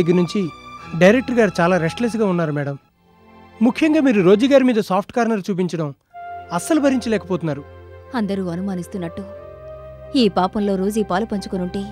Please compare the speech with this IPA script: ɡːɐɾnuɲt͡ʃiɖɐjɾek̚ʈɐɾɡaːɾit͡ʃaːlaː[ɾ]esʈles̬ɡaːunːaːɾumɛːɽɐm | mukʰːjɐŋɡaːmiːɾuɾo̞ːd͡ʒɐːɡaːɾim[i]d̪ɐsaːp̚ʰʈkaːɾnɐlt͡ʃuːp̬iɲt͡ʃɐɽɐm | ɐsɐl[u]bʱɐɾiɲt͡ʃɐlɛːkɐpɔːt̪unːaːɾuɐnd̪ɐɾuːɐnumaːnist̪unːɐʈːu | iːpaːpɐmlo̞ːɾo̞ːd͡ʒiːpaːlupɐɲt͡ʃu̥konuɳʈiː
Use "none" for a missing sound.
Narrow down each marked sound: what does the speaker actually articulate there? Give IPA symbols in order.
ɾ, iː, u

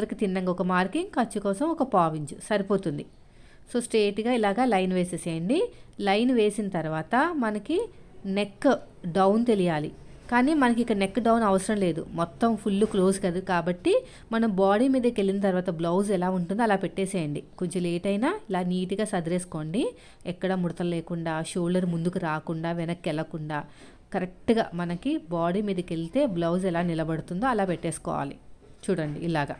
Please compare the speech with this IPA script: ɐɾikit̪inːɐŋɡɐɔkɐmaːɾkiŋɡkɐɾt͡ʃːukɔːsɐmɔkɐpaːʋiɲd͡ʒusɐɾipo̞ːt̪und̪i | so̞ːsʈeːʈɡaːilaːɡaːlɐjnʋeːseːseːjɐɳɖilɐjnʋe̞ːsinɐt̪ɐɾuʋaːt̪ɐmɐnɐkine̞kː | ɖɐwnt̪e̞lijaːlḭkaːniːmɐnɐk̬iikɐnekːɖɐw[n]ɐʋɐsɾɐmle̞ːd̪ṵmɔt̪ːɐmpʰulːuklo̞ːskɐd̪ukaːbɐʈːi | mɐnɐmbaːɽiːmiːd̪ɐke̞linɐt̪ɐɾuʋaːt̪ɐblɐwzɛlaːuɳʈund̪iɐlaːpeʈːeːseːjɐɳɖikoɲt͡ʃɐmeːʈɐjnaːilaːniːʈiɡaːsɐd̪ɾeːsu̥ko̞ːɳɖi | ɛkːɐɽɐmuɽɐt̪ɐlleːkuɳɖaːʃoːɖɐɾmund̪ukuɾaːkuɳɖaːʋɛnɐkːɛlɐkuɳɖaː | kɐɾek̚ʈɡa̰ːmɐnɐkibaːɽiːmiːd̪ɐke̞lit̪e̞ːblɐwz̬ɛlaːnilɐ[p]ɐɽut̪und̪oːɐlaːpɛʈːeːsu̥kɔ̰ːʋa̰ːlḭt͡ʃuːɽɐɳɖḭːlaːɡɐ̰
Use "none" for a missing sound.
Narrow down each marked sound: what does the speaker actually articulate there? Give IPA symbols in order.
n, b

